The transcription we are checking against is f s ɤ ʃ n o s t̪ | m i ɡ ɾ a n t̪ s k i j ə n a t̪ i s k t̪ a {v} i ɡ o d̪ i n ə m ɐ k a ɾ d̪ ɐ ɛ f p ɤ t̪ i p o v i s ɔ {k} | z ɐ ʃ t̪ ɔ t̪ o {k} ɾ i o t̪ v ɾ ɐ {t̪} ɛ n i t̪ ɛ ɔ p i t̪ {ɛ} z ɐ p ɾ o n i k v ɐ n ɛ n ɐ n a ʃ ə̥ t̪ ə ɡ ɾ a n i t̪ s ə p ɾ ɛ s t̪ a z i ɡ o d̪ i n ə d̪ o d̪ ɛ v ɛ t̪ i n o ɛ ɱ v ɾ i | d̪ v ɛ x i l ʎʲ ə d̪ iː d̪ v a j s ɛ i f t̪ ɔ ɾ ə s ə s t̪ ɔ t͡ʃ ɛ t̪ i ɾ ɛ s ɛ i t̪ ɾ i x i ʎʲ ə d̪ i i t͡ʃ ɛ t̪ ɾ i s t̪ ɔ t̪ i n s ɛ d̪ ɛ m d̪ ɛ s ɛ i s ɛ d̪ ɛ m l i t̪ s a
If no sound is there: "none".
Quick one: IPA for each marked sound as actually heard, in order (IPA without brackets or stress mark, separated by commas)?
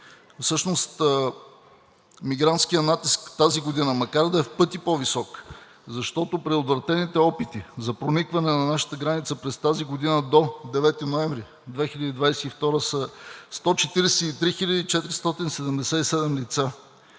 z, k, p, t̪, i